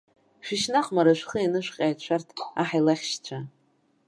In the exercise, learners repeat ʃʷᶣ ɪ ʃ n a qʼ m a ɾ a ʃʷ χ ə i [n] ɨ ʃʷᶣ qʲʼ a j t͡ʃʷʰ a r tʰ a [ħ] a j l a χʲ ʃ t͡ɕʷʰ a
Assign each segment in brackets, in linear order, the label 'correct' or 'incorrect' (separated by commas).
correct, correct